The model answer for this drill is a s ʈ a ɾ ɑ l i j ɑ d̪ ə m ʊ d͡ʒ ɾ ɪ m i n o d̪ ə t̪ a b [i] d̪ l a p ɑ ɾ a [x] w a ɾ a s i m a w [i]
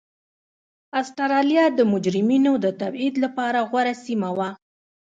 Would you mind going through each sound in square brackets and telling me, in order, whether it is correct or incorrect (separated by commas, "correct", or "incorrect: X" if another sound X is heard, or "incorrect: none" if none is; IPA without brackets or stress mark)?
correct, incorrect: ɣ, incorrect: a